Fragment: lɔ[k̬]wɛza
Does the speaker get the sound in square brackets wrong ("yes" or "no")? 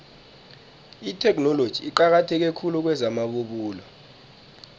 no